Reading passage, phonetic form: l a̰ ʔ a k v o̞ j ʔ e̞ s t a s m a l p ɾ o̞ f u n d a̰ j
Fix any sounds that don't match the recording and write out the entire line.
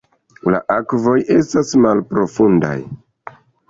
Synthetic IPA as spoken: l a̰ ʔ a k v o̞ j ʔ e̞ s t a s m a l p ɾ o̞ f u n d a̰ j